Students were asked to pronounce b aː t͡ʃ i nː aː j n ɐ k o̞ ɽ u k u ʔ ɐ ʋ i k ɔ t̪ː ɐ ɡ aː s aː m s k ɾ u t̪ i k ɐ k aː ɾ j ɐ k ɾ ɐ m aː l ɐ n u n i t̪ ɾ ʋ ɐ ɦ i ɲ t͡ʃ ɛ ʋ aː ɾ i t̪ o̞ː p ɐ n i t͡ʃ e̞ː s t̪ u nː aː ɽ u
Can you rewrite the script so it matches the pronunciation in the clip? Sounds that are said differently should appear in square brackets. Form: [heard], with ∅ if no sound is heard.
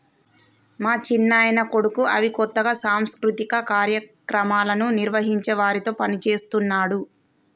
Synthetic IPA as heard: [m] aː t͡ʃ i nː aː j n ɐ k o̞ ɽ u k u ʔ ɐ ʋ i k ɔ t̪ː ɐ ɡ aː s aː m s k ɾ u t̪ i k ɐ k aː ɾ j ɐ k ɾ ɐ m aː l ɐ n u n i [∅] ɾ ʋ ɐ ɦ i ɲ t͡ʃ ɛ ʋ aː ɾ i t̪ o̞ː p ɐ n i t͡ʃ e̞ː s t̪ u nː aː ɽ u